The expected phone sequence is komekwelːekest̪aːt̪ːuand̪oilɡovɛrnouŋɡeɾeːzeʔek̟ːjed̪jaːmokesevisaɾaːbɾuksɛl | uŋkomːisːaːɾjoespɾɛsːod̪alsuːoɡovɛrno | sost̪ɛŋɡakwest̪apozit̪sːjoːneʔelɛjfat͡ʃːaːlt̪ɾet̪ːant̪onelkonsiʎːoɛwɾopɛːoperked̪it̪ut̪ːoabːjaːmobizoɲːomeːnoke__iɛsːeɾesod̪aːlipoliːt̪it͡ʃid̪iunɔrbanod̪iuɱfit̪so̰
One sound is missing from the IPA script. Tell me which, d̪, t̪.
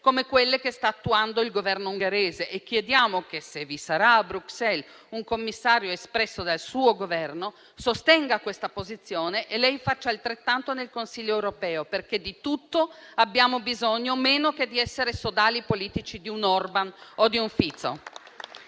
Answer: d̪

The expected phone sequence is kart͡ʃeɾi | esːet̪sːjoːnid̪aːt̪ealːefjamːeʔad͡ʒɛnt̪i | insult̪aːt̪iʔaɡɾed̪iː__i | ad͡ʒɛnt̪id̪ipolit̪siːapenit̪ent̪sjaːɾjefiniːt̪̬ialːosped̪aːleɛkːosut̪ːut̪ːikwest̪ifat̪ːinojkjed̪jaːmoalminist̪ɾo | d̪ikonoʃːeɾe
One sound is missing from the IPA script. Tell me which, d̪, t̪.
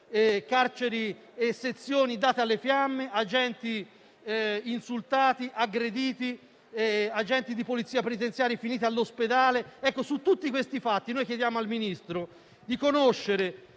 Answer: t̪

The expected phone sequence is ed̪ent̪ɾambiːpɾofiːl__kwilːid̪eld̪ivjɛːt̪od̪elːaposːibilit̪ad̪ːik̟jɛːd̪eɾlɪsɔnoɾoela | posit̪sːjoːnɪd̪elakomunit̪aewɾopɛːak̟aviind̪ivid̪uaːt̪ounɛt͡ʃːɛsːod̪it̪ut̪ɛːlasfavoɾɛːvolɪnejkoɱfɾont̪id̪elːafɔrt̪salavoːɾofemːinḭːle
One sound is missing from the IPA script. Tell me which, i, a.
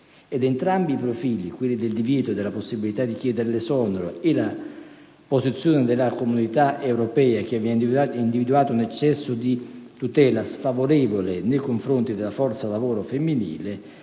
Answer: i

